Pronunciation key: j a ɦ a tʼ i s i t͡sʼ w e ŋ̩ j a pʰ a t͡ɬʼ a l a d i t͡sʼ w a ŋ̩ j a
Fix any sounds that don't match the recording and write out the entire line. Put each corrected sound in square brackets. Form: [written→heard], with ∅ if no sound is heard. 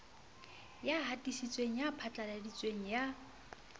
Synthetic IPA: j a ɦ a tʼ i s i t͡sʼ w e ŋ̩ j a pʰ a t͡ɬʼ a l a d i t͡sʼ w [a→e] ŋ̩ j a